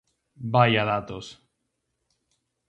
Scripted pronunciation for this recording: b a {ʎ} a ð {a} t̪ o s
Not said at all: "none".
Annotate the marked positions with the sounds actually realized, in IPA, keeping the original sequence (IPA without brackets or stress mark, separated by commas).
j, a